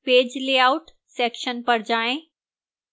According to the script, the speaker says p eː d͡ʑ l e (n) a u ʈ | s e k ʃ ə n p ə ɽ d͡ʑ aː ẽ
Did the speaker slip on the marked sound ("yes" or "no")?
yes